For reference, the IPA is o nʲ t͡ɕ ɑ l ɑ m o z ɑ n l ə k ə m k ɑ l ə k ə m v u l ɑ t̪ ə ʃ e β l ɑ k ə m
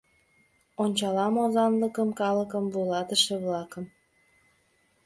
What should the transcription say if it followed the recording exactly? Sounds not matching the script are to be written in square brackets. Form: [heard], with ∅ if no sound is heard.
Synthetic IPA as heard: o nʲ t͡ɕ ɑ l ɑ m o z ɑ n l ə k ə m k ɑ l ə k ə m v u l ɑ t̪ ə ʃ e β l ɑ k ə m